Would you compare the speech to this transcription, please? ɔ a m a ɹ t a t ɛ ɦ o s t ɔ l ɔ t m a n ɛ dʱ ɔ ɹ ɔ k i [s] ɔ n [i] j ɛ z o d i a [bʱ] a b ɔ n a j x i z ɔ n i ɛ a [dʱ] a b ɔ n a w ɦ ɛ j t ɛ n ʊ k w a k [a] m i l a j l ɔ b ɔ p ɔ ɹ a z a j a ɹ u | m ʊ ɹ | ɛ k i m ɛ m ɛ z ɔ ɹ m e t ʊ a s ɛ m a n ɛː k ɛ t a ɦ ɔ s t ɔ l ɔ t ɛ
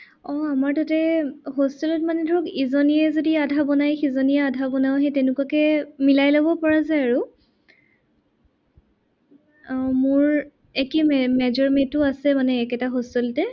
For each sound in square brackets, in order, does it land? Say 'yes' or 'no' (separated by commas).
no, yes, no, yes, no